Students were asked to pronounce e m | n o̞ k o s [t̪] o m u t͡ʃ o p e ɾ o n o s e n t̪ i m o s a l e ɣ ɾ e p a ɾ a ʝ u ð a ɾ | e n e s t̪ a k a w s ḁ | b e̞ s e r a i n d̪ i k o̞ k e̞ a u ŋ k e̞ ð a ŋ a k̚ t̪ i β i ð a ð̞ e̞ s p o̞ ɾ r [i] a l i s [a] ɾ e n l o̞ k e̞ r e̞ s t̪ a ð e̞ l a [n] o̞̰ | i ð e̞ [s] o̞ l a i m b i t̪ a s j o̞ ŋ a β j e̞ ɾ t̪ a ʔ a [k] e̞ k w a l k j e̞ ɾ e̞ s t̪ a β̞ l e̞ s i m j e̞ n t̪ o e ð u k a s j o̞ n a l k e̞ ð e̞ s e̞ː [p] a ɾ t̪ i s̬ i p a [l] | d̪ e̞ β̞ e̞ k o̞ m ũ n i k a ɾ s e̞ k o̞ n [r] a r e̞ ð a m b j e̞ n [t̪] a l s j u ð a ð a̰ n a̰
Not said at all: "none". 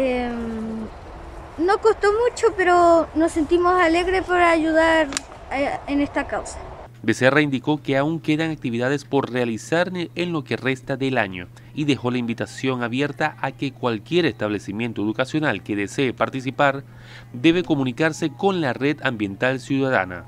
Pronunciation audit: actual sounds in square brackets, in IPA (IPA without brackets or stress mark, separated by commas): t̪, e, a, ɲ, x, k, p, ɾ, l, t̪